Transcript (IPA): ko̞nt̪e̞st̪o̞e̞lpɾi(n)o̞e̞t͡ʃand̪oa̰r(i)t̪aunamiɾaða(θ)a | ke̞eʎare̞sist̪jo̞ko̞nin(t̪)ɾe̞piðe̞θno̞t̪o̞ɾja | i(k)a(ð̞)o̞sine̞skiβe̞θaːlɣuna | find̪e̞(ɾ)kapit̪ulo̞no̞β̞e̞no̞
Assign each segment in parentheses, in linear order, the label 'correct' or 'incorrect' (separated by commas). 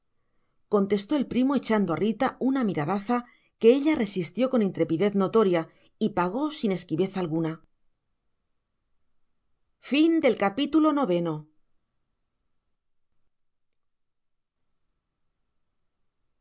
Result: incorrect, correct, correct, correct, incorrect, incorrect, incorrect